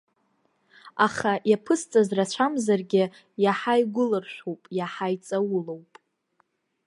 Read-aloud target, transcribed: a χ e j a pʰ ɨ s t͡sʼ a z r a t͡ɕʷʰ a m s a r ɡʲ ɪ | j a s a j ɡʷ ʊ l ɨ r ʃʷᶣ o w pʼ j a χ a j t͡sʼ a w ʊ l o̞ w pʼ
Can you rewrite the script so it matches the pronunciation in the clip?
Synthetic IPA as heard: a χ a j a pʰ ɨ s t͡sʼ a z r a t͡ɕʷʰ a m z a r ɡʲ ɪ | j a ħ a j ɡʷ ʊ l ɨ r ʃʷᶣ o w pʼ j a ħ a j t͡sʼ a w ʊ l o̞ w pʼ